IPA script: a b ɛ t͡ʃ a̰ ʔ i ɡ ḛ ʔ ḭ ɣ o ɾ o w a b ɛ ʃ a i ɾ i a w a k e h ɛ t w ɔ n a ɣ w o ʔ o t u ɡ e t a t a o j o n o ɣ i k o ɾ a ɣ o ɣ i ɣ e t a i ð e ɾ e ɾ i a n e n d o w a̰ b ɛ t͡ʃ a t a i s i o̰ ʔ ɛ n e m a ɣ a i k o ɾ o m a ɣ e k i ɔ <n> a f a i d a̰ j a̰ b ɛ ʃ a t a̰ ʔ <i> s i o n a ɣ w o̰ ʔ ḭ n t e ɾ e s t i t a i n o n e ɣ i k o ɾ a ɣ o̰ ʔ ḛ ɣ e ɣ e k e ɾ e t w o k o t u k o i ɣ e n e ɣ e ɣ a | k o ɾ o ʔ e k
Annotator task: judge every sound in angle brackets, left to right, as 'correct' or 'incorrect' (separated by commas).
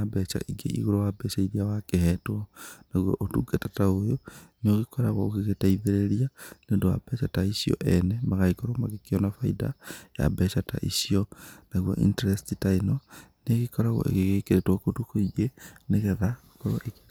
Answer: correct, correct